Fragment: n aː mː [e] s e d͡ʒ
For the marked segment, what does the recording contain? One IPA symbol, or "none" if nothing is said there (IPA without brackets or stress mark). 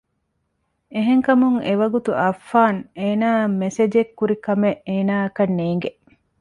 e